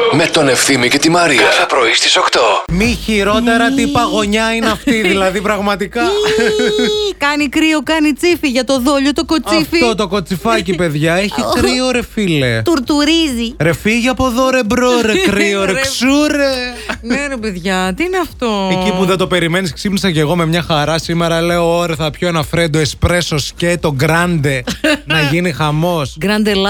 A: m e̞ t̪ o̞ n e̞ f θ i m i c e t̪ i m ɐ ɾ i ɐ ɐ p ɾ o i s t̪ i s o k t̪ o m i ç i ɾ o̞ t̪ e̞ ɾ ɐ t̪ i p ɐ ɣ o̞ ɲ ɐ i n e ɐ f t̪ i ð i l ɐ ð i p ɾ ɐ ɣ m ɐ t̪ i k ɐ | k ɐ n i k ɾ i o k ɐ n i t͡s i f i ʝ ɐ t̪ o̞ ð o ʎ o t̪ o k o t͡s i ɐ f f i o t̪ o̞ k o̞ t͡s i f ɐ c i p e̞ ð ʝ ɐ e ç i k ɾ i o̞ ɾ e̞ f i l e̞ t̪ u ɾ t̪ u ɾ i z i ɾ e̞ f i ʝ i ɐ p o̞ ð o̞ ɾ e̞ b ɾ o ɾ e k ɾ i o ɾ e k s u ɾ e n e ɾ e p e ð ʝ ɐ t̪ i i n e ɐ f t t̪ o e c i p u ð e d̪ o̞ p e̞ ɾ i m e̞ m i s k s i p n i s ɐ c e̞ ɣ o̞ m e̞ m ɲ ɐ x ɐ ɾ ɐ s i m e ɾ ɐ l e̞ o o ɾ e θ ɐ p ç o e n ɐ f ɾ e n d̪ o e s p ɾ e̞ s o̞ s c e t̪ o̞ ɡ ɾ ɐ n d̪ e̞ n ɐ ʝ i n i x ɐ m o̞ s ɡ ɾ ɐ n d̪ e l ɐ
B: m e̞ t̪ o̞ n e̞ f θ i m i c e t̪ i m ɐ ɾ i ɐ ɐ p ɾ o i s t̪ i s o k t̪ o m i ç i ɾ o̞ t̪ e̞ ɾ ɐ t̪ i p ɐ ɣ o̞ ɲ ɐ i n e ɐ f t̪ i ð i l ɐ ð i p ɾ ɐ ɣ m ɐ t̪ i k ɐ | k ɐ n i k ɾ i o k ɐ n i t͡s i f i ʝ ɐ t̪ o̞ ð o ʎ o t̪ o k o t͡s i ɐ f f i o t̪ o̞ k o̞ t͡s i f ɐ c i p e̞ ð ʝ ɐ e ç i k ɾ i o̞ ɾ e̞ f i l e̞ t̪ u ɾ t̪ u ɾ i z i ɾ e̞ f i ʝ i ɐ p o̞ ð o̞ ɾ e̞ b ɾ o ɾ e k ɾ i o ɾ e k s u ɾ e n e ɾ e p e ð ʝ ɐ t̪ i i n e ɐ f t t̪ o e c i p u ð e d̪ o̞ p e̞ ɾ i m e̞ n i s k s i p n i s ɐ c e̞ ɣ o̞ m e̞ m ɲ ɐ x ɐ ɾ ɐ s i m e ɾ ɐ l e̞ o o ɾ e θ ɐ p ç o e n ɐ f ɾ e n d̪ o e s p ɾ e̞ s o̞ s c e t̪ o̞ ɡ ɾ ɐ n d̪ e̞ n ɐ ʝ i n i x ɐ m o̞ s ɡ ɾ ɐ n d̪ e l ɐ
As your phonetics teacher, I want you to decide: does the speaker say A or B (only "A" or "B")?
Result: B